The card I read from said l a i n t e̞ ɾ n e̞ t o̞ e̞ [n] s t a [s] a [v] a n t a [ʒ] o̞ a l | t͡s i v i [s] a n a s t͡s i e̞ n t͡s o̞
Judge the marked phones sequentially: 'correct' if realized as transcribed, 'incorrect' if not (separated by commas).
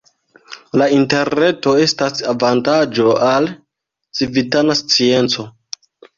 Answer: incorrect, correct, correct, incorrect, incorrect